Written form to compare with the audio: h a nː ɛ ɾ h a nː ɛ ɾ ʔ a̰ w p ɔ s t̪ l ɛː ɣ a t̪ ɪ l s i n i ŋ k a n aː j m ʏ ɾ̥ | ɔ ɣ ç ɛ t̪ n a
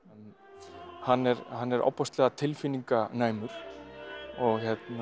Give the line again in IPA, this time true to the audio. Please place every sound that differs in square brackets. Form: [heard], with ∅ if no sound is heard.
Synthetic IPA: h a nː ɛ ɾ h a nː ɛ ɾ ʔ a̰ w p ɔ s t̪ l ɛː ɣ a [t̪ʰ] ɪ l [f] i n i ŋ k a n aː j m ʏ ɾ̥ | ɔ ɣ ç ɛ t̪ n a